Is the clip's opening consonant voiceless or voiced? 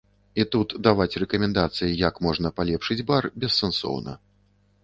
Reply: voiceless